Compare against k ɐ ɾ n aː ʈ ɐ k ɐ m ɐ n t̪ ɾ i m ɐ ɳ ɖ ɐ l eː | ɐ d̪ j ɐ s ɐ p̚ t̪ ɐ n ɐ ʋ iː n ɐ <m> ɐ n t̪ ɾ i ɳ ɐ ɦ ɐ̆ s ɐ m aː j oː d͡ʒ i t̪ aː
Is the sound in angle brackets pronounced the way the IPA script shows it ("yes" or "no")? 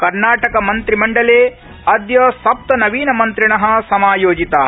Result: yes